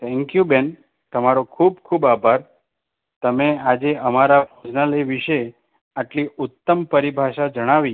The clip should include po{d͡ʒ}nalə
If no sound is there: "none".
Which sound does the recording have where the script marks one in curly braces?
d͡ʒ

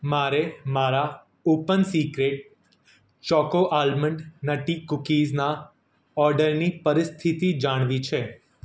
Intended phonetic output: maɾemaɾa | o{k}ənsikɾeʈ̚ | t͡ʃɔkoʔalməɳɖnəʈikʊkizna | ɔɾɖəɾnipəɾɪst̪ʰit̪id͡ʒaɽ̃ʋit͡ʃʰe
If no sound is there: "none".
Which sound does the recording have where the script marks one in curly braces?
p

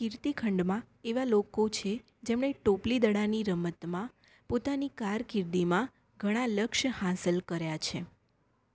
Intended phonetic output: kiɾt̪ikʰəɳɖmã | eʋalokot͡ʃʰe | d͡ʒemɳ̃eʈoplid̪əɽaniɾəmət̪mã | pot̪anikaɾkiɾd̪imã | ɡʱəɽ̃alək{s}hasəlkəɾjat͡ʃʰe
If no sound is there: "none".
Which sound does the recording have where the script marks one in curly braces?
ʃ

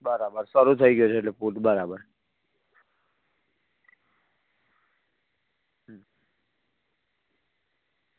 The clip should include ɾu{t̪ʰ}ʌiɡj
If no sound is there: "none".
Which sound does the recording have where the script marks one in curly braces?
t̪ʰ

